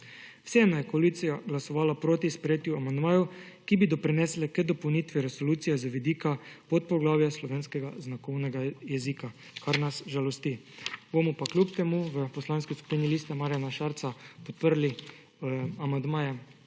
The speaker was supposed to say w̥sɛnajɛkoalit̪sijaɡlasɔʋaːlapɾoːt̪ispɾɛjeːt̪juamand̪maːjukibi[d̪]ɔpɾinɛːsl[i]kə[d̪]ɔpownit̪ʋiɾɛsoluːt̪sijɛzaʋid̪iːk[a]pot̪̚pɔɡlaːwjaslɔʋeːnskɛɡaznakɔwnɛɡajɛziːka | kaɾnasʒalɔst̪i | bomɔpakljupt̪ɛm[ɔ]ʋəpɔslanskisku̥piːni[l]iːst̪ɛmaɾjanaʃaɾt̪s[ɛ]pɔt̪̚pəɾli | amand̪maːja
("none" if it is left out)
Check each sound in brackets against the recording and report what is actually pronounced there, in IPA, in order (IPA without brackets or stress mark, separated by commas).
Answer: d̪, ɛ, d̪, a, u, l, a